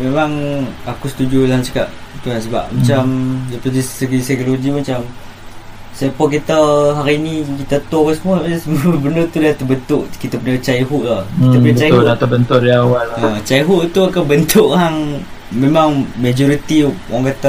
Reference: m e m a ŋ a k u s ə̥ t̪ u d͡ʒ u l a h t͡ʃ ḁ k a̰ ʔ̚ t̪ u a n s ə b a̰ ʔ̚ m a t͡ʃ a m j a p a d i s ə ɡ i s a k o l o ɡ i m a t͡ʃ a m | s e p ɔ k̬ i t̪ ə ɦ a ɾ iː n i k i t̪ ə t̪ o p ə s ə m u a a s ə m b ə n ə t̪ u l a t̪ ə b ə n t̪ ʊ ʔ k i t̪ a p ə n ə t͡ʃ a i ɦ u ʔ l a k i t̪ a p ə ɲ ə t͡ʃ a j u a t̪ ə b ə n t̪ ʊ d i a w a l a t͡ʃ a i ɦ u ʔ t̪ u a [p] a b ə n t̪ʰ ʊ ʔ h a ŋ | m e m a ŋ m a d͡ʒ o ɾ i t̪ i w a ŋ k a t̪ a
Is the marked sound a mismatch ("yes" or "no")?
yes